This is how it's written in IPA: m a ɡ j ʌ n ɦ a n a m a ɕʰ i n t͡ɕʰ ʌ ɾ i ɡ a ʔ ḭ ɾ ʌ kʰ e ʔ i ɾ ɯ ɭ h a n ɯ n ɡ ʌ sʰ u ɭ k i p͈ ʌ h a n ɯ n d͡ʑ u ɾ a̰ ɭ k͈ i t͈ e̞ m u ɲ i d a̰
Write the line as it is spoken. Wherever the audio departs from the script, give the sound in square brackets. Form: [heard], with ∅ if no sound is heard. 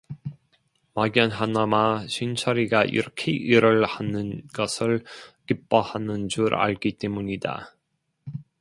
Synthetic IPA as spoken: m a ɡ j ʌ n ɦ a n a m a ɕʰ i n t͡ɕʰ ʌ ɾ i ɡ a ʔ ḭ ɾ ʌ kʰ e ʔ i ɾ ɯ ɭ h a n ɯ n ɡ ʌ sʰ [ɯ] ɭ k i p͈ ʌ h a n ɯ n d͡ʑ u ɾ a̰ ɭ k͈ i t͈ e̞ m u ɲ i d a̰